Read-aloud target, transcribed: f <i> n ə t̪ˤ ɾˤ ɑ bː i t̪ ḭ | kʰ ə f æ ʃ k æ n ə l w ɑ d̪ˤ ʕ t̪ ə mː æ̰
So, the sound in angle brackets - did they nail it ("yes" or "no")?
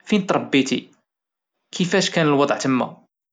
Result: yes